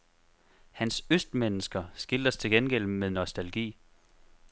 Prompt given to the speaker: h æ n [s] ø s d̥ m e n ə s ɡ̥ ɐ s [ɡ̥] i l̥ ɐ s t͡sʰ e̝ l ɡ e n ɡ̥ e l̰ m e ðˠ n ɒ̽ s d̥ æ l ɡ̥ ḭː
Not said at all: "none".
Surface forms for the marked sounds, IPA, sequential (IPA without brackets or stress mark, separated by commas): s, ɡ̥